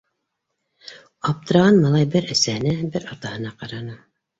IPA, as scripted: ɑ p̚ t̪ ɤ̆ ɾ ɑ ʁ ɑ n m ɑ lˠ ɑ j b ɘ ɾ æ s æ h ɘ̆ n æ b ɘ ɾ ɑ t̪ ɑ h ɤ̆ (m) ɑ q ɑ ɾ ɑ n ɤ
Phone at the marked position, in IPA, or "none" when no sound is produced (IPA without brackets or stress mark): n